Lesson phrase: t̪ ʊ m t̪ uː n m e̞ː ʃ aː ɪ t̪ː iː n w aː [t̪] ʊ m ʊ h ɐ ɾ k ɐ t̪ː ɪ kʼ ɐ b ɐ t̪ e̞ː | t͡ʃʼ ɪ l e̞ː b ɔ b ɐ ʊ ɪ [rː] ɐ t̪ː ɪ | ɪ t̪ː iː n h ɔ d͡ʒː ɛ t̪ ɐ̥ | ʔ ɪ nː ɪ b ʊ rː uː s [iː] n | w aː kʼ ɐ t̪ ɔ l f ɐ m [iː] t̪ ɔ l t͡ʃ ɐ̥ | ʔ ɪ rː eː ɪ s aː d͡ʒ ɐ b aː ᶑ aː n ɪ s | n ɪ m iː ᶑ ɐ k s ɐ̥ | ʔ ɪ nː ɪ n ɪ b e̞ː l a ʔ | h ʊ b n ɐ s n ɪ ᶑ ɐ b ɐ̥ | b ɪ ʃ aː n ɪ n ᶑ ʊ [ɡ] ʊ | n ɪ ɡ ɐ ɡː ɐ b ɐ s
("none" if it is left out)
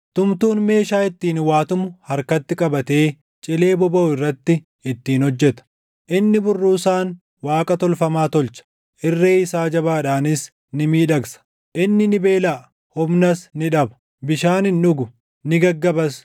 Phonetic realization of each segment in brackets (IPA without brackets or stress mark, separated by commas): t̪, rː, aː, aː, ɡ